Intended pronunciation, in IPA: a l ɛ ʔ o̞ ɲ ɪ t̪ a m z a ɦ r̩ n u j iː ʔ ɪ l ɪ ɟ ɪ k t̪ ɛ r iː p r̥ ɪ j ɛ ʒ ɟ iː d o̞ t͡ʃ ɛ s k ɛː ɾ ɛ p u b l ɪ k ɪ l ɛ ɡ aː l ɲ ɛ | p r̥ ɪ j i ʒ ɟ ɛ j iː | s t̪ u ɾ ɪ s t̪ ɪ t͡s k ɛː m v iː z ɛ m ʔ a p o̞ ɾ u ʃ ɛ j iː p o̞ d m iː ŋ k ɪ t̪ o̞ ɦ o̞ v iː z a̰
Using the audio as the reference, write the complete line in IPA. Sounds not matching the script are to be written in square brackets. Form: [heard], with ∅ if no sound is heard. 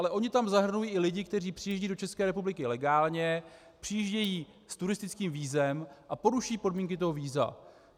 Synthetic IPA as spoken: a l ɛ ʔ o̞ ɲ ɪ t̪ a m z a ɦ r̩ n u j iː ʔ ɪ l ɪ ɟ ɪ k t̪ ɛ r iː p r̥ ɪ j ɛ ʒ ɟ iː d o̞ t͡ʃ ɛ s k ɛː ɾ ɛ p u b l ɪ k ɪ l ɛ ɡ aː l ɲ ɛ | p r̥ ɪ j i ʒ ɟ ɛ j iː | s t̪ u ɾ ɪ s t̪ ɪ t͡s k [iː] m v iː z ɛ m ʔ a p o̞ ɾ u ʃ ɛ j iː p o̞ d m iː ŋ k ɪ t̪ o̞ ɦ o̞ v iː z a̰